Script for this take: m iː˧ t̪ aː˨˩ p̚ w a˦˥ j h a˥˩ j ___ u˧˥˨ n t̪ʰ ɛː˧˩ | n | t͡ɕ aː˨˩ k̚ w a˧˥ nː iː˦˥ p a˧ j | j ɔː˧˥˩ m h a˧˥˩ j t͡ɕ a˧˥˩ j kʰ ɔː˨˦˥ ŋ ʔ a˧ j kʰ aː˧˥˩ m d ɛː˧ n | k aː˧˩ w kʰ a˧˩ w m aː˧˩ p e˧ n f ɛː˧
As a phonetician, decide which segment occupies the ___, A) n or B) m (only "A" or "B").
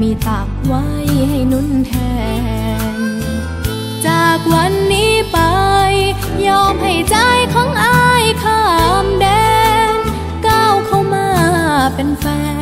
A